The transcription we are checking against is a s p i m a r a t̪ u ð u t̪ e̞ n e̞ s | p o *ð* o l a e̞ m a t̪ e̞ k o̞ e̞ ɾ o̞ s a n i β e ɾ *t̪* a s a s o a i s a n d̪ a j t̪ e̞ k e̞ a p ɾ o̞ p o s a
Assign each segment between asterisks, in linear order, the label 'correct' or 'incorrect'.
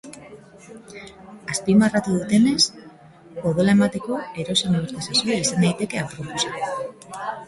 correct, correct

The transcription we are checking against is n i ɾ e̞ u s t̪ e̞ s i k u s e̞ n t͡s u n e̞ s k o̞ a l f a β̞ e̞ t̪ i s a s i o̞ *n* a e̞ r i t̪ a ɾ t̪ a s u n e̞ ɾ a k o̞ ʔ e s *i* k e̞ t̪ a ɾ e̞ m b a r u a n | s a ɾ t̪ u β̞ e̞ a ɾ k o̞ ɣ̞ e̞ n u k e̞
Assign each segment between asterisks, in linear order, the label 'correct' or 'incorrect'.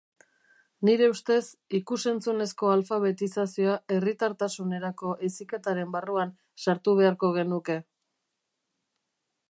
incorrect: none, correct

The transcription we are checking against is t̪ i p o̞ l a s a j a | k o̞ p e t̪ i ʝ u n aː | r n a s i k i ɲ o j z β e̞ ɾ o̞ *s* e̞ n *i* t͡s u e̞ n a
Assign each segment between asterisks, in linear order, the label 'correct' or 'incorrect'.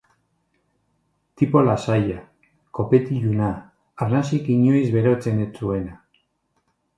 incorrect: t͡s, incorrect: e

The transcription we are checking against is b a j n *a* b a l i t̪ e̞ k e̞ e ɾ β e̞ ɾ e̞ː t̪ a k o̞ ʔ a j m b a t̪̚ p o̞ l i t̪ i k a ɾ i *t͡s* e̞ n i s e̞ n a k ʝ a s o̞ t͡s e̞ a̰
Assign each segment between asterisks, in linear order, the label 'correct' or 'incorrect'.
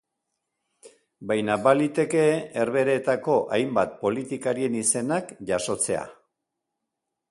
correct, incorrect: none

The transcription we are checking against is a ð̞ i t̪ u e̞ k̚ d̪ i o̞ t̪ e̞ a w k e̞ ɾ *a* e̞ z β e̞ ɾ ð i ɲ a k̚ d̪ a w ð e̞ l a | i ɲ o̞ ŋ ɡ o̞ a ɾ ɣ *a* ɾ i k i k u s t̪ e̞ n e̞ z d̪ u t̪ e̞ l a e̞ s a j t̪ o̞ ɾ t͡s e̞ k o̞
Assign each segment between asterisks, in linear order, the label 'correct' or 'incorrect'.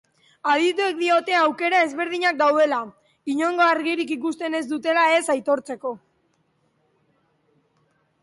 correct, incorrect: i

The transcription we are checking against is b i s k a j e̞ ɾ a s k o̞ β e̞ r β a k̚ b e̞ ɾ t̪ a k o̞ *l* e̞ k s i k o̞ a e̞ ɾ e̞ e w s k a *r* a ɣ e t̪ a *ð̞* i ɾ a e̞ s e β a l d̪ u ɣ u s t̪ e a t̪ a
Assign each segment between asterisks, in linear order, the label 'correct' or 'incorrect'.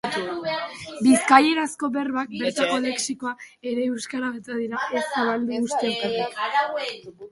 correct, incorrect: ɾ, correct

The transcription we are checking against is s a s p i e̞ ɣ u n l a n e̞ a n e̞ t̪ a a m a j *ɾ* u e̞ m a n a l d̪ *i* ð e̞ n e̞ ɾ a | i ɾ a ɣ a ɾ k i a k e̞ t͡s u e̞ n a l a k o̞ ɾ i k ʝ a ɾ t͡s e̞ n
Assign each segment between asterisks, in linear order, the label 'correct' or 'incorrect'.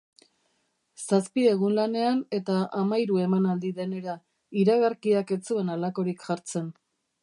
correct, correct

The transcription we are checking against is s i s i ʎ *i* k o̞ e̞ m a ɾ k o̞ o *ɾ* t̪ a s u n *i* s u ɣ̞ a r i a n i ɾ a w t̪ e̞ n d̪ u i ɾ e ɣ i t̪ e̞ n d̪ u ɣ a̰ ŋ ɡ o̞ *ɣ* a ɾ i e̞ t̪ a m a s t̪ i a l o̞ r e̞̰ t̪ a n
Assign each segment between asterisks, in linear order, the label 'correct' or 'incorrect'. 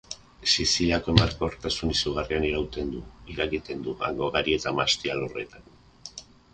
incorrect: a, correct, correct, correct

